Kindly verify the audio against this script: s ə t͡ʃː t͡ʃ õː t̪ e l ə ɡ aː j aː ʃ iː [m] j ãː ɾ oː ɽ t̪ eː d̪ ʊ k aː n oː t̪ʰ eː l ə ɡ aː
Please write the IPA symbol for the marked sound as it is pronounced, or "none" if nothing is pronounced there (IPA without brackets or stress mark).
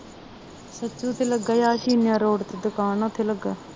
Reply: n